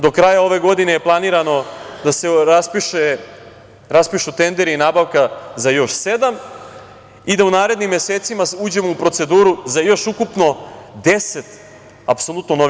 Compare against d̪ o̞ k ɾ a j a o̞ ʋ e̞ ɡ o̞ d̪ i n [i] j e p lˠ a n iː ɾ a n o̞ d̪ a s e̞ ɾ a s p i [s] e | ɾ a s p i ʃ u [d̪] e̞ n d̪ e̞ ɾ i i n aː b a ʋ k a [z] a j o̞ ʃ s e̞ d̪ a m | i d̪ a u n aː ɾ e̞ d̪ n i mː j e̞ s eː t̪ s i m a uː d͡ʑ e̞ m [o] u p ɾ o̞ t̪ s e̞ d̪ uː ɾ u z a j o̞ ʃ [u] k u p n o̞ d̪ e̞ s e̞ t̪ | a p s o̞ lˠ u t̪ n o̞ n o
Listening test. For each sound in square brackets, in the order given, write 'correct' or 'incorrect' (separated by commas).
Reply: incorrect, incorrect, incorrect, correct, correct, correct